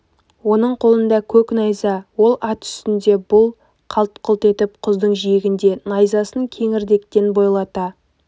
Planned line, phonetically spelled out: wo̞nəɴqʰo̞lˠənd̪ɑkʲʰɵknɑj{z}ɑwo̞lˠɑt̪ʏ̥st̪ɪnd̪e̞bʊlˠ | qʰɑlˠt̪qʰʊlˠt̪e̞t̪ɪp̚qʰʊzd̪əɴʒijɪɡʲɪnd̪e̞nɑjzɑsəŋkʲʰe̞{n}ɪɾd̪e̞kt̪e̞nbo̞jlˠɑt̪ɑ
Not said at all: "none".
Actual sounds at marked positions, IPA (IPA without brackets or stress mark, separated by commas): z, ŋ